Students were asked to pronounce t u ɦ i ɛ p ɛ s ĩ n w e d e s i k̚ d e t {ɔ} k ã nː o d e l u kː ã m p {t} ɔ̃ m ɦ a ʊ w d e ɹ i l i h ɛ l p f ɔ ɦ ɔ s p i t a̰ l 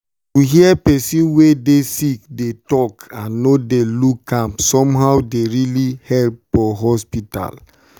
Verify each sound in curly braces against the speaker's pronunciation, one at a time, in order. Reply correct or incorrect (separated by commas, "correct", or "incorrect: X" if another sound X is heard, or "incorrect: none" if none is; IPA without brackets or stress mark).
correct, incorrect: s